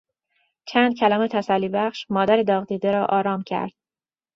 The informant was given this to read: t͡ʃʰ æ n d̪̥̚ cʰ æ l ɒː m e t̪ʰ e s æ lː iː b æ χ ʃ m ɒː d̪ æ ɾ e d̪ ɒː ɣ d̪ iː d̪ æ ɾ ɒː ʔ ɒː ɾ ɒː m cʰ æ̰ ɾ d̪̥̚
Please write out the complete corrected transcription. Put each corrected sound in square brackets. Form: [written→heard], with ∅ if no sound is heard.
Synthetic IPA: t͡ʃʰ æ n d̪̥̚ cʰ æ l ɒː m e t̪ʰ [e→æ] s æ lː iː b æ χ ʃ m ɒː d̪ æ ɾ e d̪ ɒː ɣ d̪ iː d̪ [æ→e] ɾ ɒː ʔ ɒː ɾ ɒː m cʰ æ̰ ɾ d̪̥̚

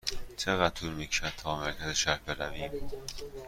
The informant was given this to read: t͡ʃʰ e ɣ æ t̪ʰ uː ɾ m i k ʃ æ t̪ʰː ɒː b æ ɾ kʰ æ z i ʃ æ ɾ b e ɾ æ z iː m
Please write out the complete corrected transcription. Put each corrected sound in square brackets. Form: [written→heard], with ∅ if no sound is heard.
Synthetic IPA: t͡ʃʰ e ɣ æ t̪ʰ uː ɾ m i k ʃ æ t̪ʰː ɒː [b→m] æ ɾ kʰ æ z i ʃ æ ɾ b e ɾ æ [z→v] iː m

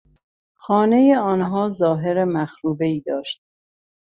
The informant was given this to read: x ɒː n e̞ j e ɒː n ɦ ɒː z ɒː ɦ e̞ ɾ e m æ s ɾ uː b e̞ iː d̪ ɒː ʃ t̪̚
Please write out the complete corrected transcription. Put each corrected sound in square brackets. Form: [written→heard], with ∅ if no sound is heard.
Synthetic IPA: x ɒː n e̞ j e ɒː n ɦ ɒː z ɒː ɦ e̞ ɾ e m æ [s→x] ɾ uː b e̞ iː d̪ ɒː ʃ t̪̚

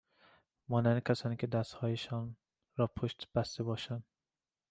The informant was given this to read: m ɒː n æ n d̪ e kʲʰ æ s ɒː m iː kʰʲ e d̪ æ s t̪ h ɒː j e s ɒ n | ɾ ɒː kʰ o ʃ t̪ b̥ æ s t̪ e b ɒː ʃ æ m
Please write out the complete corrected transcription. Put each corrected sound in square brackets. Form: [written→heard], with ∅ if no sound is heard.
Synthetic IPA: m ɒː n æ n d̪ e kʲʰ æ s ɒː [m→n] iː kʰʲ e d̪ æ s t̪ h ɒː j e [s→ʃ] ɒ n | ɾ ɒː [kʰ→pʰ] o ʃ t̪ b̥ æ s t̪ e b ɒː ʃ æ [m→n]

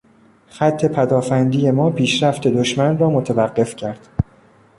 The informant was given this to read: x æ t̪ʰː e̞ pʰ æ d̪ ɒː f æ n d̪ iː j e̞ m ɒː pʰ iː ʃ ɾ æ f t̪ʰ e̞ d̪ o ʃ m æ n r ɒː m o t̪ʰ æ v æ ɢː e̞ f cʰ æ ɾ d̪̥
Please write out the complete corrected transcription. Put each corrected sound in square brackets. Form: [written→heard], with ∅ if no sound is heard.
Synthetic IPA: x æ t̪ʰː e̞ pʰ æ d̪ ɒː f æ n d̪ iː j e̞ m ɒː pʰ iː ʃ ɾ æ f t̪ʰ e̞ d̪ o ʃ m æ n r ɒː m o t̪ʰ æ v æ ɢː e̞ f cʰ æ ɾ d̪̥

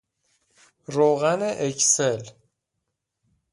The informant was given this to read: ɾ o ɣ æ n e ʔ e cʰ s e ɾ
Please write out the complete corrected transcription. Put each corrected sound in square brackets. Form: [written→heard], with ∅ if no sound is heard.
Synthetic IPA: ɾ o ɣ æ n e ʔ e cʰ s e [ɾ→l]

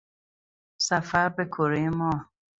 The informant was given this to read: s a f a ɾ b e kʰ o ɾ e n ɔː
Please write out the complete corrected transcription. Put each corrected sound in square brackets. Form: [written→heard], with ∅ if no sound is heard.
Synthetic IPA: s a f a ɾ b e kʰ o ɾ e [n→m] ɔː

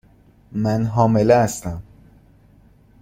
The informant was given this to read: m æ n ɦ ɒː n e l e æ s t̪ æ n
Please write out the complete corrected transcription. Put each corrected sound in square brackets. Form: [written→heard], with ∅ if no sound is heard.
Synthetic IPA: m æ n ɦ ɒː [n→m] e l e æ s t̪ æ [n→m]

